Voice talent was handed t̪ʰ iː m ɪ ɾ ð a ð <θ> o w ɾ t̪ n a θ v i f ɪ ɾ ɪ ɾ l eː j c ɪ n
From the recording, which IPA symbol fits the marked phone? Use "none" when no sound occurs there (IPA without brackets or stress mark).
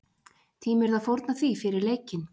f